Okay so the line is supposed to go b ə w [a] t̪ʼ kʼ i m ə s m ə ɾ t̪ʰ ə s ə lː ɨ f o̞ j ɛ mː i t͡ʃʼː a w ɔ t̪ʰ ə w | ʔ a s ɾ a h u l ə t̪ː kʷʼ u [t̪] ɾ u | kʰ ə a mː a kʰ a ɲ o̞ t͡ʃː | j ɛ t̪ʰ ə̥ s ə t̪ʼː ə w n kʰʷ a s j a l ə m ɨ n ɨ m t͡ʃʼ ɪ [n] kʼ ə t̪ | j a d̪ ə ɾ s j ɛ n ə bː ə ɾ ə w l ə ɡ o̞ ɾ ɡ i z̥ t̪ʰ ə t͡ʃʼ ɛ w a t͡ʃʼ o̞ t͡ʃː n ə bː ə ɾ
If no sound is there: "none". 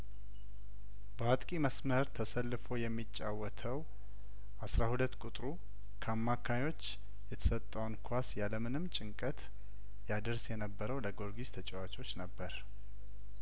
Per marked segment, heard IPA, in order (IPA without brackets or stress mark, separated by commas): a, t̪ʼ, ŋ